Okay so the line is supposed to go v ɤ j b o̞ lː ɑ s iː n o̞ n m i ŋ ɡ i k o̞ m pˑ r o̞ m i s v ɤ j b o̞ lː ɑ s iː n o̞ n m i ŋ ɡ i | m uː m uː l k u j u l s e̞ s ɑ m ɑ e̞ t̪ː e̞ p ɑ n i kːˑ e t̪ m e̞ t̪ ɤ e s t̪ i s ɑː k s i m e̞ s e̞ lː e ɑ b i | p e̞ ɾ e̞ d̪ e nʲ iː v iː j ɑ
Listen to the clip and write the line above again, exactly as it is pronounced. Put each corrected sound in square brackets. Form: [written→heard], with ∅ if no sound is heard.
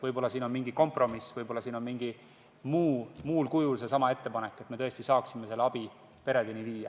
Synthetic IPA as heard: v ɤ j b o̞ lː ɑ s iː n o̞ n m i ŋ ɡ i k o̞ m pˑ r o̞ m i s v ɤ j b o̞ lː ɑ s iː n o̞ n m i ŋ ɡ i | m uː m uː l k u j u l s e̞ s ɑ m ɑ e̞ t̪ː e̞ p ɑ n [i→e] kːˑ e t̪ m e̞ t̪ ɤ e s t̪ i s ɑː k s i m e̞ s e̞ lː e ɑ b i | p e̞ ɾ e̞ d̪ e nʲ [iː→i] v iː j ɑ